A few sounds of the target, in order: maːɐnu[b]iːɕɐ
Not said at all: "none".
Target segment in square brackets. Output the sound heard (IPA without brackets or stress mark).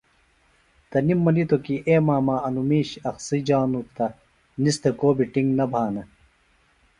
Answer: m